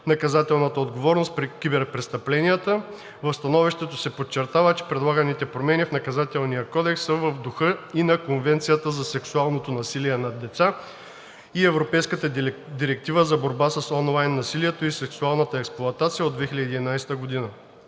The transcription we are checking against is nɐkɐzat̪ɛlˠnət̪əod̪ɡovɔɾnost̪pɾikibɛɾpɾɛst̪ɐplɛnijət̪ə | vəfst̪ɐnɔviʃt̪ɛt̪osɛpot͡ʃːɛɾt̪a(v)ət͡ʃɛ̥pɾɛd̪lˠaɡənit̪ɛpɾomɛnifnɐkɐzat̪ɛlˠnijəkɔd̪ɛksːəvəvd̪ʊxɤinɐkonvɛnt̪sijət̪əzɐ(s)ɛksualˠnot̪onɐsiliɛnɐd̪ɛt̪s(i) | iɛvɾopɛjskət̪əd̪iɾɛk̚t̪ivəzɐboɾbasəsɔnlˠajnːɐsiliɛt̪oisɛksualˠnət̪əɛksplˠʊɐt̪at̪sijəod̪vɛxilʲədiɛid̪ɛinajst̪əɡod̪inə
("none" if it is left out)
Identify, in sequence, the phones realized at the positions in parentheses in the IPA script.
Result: v, s, a

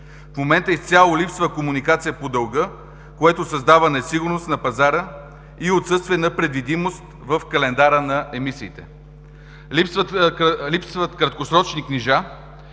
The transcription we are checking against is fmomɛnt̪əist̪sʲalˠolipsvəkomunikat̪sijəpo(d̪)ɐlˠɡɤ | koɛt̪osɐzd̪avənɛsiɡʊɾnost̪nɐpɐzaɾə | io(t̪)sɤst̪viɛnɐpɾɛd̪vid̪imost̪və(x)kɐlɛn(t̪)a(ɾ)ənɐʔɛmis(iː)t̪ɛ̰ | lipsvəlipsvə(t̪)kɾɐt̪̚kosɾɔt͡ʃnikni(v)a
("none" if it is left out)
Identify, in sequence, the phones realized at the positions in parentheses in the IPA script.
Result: d̪, t̪, f, d̪, ɾ, iː, t̪, ʒ

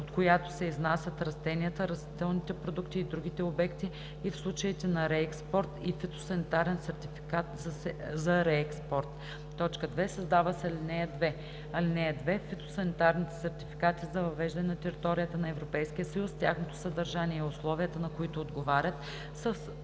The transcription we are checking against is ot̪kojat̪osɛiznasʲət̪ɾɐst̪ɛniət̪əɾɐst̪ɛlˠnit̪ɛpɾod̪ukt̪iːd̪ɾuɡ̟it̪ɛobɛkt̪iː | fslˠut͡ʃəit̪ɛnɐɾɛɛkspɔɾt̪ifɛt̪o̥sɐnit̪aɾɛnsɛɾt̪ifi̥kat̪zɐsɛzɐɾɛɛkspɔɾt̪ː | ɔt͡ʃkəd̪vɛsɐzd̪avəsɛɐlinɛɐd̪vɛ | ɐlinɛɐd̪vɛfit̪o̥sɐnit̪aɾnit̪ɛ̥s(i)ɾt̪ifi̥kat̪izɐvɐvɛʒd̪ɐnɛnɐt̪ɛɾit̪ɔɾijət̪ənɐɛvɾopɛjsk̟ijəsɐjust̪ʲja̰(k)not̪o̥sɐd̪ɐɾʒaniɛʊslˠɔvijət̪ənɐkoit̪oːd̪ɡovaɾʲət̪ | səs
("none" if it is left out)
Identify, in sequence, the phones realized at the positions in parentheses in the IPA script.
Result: ɛ, x

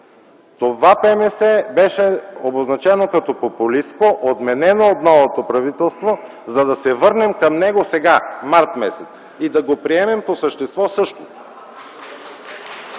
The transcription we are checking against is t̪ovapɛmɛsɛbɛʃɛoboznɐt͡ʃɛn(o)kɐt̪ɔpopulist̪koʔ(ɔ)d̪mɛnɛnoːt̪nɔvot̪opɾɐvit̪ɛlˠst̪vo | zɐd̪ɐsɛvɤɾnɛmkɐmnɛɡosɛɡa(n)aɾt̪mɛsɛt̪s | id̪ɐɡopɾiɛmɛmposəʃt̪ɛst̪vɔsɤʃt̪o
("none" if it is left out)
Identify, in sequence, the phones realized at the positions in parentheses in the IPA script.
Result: o, o, m

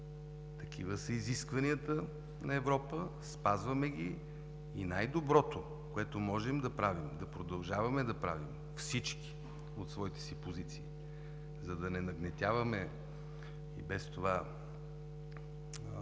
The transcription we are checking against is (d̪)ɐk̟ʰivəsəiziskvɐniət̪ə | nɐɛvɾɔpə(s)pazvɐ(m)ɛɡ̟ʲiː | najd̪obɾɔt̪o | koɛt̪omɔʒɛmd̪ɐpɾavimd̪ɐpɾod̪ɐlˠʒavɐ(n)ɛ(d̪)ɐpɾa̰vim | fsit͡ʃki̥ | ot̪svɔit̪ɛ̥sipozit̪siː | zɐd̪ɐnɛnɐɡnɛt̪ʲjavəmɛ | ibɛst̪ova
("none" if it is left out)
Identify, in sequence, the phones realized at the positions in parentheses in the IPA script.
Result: t̪, s, m, m, d̪

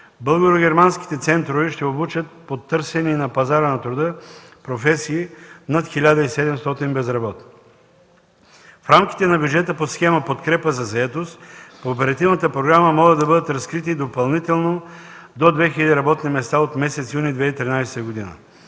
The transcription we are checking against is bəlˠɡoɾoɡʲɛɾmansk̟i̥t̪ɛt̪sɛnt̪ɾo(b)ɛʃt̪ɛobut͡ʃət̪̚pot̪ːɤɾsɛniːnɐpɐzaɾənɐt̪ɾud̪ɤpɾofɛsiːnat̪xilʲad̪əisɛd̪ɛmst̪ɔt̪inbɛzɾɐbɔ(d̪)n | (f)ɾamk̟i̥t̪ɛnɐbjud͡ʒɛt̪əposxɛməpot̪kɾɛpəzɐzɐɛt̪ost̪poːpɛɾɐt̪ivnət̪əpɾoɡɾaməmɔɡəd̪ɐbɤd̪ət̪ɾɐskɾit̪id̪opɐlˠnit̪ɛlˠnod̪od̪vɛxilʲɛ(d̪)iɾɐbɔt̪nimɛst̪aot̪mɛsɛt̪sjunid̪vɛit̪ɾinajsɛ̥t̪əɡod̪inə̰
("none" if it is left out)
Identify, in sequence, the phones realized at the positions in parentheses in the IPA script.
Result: v, t̪, f, d̪

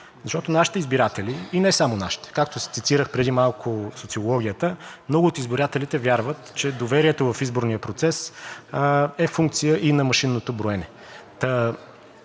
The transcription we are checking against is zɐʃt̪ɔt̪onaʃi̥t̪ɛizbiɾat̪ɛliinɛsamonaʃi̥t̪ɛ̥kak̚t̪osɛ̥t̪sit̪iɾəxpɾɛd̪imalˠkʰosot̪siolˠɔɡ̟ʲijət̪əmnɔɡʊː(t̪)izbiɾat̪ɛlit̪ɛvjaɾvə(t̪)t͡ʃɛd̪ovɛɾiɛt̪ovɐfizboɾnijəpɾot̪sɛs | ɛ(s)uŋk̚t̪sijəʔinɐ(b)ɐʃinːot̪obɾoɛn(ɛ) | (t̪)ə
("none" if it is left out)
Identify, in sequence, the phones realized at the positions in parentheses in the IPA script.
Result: t̪, t̪, f, m, ɛ, t̪

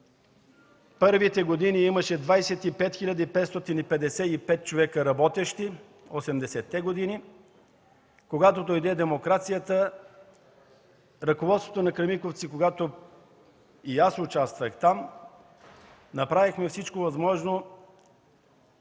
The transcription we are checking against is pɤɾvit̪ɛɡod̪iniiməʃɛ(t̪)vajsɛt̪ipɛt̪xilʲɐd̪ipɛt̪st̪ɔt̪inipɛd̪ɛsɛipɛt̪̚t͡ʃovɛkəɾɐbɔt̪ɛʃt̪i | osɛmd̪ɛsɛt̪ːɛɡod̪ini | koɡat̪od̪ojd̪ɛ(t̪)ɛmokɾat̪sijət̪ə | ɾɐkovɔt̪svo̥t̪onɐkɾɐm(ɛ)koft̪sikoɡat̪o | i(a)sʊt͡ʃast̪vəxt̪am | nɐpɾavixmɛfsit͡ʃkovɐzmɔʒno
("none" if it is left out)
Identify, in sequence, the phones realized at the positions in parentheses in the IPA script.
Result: d̪, d̪, i, a

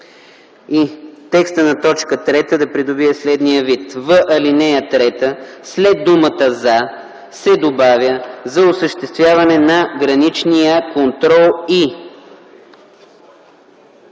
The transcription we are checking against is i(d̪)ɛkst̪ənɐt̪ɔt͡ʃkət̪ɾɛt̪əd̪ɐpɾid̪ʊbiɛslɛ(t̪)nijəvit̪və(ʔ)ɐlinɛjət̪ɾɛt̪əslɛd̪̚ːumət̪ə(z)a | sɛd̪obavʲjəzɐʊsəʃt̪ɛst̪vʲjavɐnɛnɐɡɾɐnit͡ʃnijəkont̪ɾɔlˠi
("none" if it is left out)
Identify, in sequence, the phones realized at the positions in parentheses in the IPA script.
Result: t̪, d̪, ʔ, z

